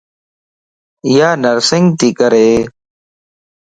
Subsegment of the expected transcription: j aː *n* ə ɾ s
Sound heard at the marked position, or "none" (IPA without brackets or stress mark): n